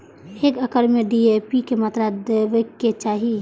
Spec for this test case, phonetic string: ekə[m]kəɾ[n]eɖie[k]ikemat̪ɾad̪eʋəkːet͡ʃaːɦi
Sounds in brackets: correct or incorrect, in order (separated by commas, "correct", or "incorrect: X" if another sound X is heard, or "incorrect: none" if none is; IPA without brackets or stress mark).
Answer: incorrect: none, incorrect: m, incorrect: p